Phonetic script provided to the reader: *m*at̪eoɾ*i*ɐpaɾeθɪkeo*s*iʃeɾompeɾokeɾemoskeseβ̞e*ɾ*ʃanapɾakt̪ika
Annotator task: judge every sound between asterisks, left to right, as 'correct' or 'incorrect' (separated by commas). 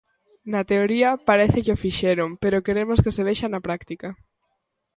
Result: incorrect, correct, incorrect, incorrect